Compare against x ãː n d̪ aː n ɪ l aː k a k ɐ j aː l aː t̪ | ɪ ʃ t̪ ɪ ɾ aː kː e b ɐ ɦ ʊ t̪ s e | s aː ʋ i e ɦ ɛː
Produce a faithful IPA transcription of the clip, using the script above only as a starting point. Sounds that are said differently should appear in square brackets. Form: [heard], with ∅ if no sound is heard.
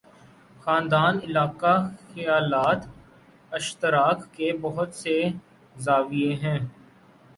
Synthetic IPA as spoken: x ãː n d̪ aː n ɪ l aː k a [x] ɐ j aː l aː t̪ | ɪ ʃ t̪ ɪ ɾ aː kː e b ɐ ɦ ʊ t̪ s e | [z] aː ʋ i e ɦ [ɛ̃ː]